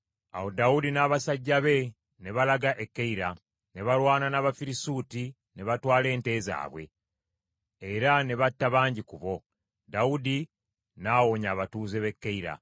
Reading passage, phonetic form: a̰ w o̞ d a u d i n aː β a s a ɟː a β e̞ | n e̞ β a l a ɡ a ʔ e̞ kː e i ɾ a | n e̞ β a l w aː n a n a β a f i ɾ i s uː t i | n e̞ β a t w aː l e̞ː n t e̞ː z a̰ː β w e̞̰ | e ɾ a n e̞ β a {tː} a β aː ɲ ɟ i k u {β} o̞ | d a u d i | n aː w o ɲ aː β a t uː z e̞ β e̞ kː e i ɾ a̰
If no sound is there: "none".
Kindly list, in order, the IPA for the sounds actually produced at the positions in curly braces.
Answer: tː, β

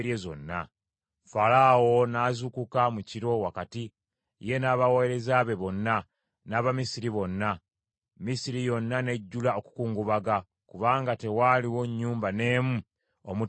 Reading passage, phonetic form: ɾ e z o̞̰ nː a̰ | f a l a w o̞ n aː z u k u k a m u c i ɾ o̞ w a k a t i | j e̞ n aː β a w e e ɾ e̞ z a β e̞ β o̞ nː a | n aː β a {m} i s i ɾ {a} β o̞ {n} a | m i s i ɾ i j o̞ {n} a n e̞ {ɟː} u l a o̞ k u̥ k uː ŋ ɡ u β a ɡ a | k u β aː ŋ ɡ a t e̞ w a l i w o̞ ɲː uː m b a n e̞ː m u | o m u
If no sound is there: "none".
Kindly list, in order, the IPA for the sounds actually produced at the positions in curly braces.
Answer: m, i, nː, nː, ɟː

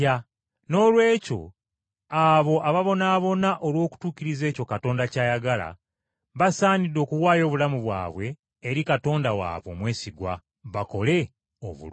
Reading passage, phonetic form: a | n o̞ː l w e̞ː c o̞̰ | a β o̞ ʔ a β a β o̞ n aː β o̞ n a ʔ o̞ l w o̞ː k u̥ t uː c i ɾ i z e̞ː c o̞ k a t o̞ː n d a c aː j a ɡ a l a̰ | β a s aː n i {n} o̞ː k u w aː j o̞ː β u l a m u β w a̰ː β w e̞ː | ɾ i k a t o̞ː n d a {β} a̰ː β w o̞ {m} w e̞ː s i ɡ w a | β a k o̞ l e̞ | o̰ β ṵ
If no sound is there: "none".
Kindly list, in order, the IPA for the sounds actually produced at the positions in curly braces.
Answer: d, w, m

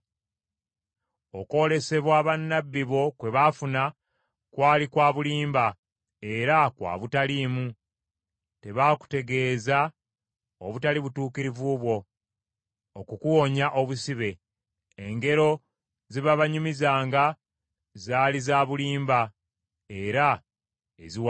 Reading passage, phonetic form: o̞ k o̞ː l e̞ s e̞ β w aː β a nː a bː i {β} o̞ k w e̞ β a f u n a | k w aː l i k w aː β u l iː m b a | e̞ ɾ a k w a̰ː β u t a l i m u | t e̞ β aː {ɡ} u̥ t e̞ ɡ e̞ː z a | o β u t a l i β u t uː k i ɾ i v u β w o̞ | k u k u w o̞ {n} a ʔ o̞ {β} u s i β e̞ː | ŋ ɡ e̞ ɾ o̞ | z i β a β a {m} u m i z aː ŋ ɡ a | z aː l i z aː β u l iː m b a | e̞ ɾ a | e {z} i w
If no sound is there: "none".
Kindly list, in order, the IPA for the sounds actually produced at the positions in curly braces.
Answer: β, k, ɲ, β, ɲ, z

